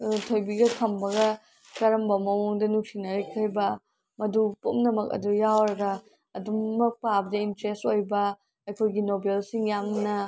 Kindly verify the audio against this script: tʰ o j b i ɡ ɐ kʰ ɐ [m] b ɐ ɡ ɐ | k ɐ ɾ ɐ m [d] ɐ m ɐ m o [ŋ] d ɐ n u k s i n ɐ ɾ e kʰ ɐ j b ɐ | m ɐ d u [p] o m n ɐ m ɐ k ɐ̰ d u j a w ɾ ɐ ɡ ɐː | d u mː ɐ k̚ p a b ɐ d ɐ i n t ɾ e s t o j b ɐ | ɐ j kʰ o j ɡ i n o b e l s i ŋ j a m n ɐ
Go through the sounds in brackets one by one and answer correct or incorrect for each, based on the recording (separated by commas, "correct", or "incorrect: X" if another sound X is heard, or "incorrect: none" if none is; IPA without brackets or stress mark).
correct, incorrect: b, correct, correct